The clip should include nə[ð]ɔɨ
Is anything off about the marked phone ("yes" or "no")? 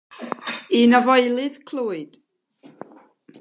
yes